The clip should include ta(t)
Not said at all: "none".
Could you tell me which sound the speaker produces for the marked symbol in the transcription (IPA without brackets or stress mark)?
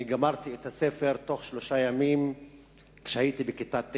t